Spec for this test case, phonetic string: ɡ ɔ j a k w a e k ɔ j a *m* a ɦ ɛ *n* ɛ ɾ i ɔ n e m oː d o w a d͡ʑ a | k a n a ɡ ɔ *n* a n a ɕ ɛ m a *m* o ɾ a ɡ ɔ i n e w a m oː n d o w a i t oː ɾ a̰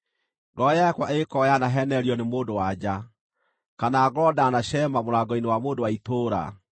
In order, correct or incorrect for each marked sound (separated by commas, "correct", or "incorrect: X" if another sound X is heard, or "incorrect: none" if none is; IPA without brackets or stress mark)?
incorrect: n, correct, incorrect: d, correct